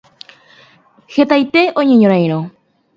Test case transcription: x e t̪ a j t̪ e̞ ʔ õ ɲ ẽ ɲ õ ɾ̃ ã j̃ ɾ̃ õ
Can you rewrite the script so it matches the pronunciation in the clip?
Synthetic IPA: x e t̪ a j t̪ e̞ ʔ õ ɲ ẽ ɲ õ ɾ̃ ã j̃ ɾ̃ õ